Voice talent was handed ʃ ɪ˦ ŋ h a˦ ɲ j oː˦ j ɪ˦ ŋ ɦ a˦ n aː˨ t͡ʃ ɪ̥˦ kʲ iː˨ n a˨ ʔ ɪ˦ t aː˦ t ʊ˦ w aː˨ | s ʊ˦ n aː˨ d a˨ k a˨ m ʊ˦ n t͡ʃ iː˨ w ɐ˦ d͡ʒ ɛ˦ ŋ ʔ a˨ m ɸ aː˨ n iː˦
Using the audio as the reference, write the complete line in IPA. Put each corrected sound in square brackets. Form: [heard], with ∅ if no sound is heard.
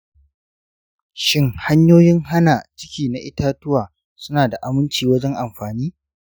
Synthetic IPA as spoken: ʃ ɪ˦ ŋ h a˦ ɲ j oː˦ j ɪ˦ ŋ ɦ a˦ n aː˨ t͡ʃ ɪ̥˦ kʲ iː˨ n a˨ ʔ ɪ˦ t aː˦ t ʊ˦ w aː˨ | s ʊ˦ n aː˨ d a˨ [ʔ] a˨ m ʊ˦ n t͡ʃ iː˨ w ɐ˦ d͡ʒ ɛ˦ ŋ ʔ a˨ m ɸ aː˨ n iː˦